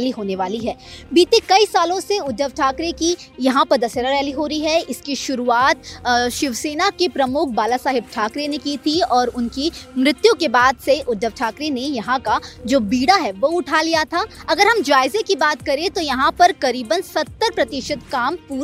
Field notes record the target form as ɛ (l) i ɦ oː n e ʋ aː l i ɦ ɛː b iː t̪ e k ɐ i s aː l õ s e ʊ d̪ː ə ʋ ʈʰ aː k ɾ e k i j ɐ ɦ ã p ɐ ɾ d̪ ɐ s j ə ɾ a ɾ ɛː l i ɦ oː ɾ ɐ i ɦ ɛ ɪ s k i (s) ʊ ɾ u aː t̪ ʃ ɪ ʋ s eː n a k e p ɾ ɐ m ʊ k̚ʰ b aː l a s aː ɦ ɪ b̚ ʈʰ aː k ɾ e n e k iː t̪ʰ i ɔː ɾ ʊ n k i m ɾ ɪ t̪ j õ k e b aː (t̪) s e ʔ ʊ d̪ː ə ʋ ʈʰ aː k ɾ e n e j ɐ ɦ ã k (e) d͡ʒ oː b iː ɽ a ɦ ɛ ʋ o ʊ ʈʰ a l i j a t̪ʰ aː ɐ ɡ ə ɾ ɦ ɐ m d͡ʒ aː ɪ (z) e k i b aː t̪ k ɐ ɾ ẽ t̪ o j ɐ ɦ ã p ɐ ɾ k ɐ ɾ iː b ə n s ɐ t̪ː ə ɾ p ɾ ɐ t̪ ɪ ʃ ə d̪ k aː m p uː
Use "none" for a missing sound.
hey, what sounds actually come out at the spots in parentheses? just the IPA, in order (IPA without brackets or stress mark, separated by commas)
l, ʃ, d̪, a, z